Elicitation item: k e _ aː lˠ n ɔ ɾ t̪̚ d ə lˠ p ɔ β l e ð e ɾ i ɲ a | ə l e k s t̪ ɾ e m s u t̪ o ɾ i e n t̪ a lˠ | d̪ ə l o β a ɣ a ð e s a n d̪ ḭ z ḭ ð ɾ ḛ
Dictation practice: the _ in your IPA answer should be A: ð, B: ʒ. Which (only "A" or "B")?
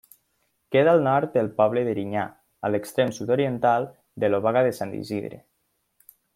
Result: A